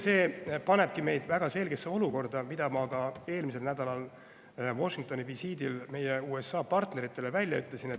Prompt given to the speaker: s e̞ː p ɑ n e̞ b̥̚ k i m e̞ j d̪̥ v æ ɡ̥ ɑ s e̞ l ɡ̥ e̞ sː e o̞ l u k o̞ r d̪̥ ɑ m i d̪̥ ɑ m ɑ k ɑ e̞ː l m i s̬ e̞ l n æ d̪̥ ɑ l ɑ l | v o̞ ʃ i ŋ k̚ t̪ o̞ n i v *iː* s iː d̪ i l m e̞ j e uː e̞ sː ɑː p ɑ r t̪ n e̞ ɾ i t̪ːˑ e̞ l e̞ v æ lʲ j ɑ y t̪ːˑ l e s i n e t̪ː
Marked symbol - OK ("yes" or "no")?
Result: no